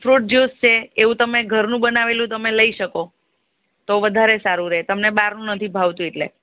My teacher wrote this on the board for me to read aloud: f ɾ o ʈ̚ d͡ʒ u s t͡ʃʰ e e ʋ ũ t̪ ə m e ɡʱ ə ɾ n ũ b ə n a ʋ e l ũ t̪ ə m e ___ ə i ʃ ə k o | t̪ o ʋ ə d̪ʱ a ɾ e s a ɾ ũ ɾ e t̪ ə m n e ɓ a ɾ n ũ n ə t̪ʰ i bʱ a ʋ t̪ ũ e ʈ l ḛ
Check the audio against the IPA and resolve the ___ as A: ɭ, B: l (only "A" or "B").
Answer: B